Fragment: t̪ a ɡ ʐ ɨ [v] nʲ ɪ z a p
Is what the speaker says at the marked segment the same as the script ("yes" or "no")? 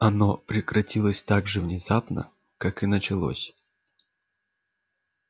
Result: yes